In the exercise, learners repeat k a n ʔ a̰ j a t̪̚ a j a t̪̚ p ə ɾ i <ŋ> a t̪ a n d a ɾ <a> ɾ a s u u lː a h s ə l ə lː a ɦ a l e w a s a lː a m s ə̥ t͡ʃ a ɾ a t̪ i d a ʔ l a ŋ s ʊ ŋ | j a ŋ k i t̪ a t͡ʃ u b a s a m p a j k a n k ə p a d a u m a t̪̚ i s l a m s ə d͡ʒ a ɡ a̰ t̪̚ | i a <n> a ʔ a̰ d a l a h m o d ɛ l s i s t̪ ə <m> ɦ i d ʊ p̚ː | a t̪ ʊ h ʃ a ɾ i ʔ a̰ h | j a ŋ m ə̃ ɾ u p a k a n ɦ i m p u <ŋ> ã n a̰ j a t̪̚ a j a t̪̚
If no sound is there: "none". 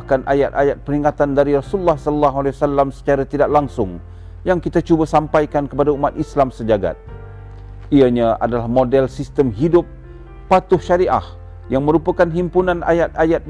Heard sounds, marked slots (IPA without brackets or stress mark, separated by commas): ŋ, i, ɲ, m, n